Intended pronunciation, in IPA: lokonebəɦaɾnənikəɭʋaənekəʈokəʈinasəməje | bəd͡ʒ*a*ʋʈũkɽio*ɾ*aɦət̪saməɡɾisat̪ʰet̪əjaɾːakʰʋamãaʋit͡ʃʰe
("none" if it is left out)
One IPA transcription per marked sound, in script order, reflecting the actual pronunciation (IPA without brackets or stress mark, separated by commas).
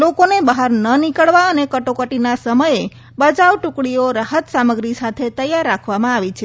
a, ɾ